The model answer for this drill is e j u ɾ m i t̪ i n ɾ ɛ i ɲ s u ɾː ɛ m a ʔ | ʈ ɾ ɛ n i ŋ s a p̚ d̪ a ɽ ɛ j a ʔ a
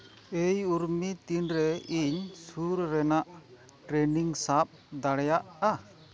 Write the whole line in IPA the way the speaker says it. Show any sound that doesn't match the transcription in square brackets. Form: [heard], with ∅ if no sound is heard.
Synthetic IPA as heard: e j u ɾ m i t̪ i n ɾ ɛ i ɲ s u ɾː ɛ [n] a ʔ | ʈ ɾ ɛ n i ŋ s a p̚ d̪ a ɽ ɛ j a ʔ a